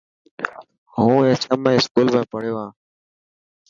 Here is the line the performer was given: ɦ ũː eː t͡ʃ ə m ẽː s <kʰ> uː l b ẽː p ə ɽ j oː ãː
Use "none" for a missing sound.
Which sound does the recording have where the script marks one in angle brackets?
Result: k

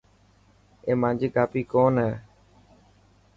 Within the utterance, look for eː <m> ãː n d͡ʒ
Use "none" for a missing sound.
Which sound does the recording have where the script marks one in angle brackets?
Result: m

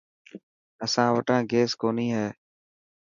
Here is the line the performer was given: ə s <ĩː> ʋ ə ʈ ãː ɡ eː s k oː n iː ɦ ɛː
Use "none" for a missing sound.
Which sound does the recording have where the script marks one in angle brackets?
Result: ãː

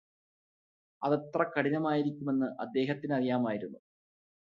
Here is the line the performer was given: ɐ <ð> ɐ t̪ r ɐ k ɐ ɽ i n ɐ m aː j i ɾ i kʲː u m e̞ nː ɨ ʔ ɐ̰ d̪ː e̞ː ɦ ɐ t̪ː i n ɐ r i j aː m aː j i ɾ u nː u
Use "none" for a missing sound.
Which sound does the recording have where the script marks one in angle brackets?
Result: ð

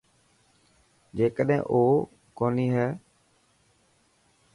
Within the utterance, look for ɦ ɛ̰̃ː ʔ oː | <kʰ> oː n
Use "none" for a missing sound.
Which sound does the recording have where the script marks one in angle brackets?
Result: k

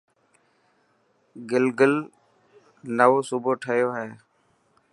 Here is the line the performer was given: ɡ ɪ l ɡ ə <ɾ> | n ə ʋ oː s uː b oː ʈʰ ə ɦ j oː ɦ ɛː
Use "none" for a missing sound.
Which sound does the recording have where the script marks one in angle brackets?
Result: l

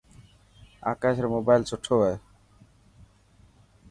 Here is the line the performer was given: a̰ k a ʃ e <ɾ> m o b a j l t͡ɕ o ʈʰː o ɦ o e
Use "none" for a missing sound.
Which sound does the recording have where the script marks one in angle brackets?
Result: ɾ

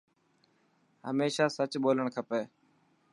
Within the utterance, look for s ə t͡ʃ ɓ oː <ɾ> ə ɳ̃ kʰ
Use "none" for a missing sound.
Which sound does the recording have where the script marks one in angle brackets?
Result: l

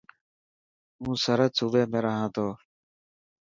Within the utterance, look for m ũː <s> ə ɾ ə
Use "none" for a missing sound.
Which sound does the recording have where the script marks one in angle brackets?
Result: s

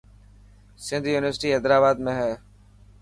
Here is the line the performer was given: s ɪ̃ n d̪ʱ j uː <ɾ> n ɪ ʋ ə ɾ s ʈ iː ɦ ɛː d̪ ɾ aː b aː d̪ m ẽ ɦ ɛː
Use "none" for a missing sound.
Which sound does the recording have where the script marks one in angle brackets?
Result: none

